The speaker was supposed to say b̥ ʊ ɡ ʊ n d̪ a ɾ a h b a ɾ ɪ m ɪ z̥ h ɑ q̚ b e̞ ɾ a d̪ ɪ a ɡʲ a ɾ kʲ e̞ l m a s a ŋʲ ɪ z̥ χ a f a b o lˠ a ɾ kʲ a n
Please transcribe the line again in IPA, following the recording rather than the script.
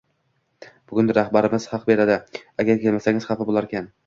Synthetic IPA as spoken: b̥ ʊ ɡ ʊ n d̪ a ɾ a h b a ɾ ɪ m ɪ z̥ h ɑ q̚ b e̞ ɾ a d̪ ɪ a ɡʲ a ɾ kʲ e̞ l m a s a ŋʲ ɪ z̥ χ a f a b o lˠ a ɾ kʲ a n